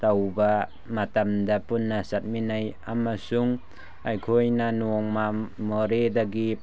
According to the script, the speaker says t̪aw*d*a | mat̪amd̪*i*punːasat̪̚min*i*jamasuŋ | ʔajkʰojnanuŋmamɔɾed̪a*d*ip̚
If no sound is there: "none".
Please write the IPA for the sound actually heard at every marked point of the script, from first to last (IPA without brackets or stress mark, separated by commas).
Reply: b, a, a, ɡ